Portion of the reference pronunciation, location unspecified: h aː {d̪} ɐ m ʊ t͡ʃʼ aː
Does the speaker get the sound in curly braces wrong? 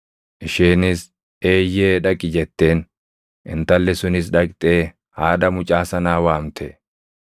no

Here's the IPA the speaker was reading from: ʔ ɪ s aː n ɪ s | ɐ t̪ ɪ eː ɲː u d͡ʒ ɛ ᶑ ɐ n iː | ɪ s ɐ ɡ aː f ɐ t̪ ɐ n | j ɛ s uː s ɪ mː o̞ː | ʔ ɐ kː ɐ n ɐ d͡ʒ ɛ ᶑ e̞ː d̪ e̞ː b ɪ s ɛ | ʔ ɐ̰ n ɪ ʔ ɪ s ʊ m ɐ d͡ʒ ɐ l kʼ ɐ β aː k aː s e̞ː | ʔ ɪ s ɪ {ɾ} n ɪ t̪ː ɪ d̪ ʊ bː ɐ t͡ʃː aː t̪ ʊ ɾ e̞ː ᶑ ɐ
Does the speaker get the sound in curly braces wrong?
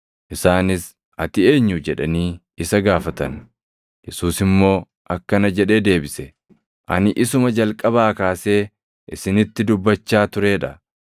yes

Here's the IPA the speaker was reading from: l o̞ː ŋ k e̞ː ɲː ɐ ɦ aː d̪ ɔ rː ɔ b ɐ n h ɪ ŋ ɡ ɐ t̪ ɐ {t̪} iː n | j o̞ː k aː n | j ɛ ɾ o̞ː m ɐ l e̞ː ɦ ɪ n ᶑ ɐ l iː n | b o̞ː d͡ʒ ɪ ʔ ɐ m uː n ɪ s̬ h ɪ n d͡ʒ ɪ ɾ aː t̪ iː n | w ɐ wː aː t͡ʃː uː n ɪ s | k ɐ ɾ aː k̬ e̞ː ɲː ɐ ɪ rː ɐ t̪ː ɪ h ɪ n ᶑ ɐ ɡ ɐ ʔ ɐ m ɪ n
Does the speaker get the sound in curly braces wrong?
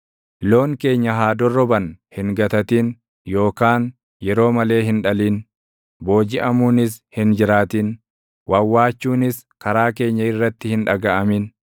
no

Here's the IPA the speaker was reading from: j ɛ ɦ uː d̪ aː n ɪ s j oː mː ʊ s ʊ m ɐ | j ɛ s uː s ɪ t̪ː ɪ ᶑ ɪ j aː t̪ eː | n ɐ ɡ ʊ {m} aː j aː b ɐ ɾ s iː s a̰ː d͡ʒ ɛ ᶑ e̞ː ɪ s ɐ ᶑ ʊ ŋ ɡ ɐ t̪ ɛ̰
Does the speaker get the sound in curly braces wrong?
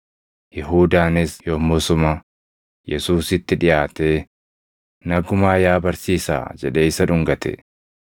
no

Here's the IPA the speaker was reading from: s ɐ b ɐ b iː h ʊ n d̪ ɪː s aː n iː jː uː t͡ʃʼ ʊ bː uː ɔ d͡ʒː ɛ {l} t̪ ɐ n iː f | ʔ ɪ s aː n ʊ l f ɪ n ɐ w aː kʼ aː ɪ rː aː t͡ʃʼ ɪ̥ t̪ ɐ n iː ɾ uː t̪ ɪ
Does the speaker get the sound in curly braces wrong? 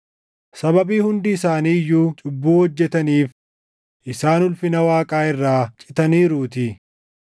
yes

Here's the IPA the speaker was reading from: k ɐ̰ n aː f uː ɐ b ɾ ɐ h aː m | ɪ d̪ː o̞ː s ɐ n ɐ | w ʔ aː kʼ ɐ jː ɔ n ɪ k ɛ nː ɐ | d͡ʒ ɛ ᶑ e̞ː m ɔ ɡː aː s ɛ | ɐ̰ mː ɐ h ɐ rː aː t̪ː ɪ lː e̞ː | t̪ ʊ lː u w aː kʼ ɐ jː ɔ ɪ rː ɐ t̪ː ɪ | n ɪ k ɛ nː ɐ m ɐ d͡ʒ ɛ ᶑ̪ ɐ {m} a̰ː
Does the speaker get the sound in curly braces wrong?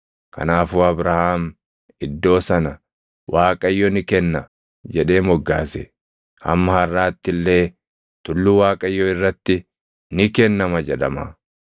no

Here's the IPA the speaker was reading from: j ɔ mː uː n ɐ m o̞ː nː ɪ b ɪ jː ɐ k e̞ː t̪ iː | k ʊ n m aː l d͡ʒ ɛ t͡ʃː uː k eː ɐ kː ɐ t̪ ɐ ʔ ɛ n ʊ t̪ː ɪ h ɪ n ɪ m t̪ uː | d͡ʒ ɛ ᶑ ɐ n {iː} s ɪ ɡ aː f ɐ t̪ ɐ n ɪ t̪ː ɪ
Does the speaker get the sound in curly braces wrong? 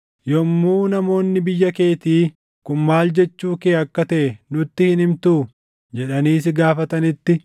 no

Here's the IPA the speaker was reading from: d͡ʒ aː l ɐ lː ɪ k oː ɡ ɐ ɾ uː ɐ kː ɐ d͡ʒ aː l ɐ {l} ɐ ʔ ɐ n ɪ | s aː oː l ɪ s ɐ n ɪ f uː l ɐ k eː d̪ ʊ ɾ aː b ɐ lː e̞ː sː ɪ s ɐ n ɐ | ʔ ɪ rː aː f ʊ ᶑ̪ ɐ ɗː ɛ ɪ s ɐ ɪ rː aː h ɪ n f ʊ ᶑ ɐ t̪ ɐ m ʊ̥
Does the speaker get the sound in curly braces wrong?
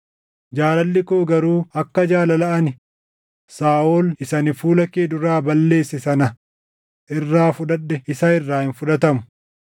no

